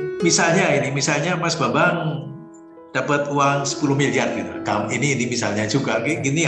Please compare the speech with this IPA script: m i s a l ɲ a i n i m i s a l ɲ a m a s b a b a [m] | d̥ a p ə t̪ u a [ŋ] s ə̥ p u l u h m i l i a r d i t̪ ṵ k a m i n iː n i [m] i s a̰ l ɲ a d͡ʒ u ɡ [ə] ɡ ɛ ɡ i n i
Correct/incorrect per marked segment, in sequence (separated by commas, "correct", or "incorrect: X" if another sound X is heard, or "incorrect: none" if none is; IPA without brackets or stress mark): incorrect: ŋ, correct, correct, incorrect: a